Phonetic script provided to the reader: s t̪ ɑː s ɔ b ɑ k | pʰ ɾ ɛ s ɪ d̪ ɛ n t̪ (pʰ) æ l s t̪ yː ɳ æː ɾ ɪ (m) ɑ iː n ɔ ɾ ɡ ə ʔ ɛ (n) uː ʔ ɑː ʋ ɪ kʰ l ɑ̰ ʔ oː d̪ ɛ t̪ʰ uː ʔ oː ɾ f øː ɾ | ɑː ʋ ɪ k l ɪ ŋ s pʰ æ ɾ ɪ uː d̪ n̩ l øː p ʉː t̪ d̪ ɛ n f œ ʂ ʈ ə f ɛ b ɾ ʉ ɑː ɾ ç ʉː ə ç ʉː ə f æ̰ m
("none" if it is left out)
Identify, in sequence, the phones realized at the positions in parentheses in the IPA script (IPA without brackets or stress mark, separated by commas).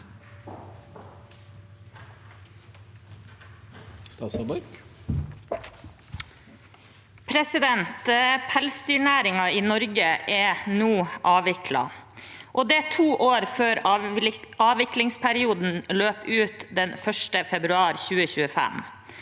pʰ, ŋ, n